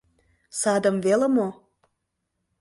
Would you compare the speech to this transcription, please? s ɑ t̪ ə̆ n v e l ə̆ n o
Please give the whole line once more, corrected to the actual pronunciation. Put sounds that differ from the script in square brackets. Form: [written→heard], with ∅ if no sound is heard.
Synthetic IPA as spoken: s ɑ [t̪→d̪] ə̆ [n→m] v e l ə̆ [n→m] o